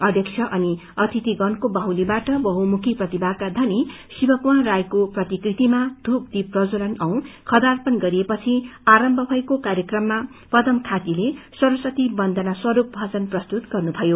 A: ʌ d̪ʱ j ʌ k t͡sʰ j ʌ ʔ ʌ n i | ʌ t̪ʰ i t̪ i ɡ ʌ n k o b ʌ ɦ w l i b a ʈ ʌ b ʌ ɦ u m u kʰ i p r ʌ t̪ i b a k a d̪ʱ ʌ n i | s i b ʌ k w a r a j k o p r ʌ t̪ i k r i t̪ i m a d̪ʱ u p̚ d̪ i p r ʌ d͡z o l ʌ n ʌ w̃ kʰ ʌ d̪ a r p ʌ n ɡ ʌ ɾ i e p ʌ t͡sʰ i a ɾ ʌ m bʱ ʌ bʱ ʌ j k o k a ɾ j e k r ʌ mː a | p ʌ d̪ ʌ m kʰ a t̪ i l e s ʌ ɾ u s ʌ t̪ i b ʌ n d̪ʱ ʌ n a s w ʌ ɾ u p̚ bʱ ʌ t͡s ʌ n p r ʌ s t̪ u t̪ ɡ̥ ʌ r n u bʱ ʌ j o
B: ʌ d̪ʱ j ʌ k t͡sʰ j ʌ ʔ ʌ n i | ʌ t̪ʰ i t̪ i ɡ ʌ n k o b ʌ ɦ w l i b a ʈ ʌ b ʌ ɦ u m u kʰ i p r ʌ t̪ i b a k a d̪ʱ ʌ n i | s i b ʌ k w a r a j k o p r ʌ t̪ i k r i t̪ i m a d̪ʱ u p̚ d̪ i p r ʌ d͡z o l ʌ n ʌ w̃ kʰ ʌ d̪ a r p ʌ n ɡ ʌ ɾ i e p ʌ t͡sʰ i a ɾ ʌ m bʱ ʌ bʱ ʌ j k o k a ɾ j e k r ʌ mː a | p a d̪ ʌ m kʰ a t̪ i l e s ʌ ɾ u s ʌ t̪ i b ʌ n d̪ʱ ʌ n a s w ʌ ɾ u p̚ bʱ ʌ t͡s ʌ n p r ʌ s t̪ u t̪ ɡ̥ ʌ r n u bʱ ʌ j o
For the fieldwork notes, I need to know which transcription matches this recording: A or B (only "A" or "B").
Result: A